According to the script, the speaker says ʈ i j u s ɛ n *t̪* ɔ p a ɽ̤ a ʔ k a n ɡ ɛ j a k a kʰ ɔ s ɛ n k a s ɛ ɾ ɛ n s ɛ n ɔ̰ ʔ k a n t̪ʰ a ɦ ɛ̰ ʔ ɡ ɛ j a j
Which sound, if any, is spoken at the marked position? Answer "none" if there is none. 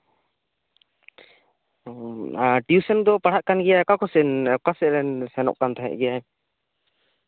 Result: d̪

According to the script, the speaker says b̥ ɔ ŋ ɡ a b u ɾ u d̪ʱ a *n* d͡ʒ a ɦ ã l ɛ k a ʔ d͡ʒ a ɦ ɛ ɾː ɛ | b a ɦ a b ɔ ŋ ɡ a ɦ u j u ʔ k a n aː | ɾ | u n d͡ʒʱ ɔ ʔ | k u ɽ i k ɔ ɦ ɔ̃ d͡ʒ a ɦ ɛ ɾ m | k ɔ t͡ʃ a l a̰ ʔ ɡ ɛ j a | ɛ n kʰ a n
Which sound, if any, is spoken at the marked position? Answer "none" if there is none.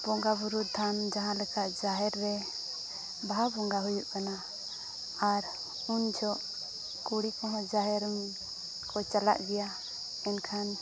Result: n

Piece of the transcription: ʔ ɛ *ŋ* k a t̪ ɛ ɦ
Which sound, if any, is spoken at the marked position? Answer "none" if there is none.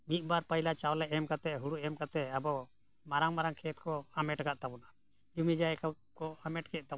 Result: m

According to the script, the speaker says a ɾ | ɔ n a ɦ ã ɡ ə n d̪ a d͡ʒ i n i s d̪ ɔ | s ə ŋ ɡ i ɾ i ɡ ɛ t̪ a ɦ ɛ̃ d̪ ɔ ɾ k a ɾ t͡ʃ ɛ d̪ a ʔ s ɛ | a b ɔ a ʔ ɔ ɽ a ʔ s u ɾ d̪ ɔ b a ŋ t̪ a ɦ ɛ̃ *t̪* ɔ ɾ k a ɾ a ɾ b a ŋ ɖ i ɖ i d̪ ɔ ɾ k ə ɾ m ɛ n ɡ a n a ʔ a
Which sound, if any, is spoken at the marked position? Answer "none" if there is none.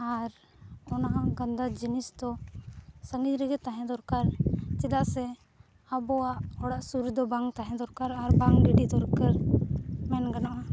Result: d̪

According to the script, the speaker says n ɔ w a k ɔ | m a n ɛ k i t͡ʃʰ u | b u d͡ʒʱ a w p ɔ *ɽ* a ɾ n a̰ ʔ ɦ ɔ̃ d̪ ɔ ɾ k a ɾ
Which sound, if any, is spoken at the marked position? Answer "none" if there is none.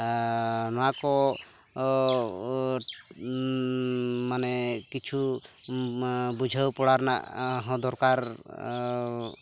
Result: ɽ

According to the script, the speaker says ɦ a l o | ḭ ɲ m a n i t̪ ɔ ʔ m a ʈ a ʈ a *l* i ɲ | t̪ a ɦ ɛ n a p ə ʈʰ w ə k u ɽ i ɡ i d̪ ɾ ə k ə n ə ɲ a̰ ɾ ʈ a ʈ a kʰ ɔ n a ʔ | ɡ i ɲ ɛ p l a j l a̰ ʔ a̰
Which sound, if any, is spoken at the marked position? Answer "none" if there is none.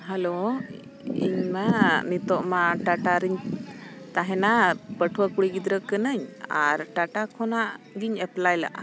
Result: ɾ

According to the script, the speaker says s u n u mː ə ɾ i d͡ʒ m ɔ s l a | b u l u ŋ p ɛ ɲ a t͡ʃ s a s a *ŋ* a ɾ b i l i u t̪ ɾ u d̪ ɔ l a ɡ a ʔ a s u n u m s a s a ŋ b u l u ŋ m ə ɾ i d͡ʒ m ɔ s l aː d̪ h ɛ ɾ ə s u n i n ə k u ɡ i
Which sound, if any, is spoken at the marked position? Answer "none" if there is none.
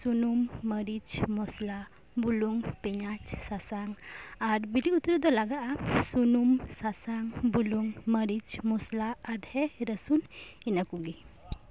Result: ŋ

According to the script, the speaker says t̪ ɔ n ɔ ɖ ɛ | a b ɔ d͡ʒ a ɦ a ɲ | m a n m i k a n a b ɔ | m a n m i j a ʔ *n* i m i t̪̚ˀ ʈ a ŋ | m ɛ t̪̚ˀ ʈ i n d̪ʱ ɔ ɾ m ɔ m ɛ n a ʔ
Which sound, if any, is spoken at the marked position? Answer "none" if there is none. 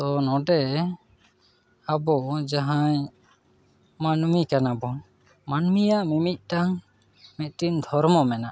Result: m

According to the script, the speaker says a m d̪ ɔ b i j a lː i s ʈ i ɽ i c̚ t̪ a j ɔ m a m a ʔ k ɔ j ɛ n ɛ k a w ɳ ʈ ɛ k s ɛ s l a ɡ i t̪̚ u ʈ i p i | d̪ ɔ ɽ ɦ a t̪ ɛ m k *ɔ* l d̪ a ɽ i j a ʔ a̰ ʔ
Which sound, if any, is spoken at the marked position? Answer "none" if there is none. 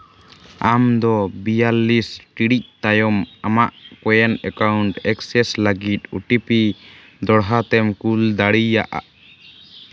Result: u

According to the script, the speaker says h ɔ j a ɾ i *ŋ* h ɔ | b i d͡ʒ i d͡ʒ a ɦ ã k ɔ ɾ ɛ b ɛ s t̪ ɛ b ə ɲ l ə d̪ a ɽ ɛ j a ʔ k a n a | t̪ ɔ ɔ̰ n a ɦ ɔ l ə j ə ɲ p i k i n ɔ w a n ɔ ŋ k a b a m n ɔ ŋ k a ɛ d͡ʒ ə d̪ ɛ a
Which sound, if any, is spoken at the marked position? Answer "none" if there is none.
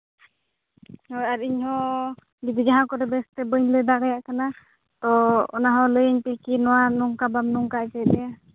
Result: ɲ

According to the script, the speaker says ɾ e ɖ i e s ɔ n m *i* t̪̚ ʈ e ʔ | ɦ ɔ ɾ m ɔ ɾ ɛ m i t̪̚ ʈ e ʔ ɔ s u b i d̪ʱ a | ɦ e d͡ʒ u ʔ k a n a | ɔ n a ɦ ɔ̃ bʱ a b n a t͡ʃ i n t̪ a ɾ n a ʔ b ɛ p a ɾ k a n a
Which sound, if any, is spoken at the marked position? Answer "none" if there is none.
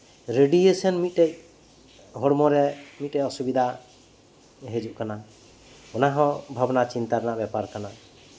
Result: i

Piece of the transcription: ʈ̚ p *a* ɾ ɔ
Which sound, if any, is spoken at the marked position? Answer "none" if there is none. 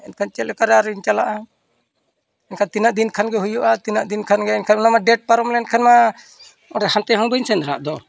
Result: a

